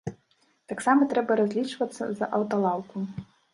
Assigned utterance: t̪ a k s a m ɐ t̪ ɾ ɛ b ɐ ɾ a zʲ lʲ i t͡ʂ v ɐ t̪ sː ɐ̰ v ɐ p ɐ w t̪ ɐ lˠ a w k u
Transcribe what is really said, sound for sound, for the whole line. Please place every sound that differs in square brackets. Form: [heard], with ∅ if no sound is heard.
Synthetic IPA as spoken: t̪ a k s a m ɐ t̪ ɾ ɛ b ɐ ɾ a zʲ lʲ i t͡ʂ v ɐ t̪ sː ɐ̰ [z] ɐ [ʔ] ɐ w t̪ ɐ lˠ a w k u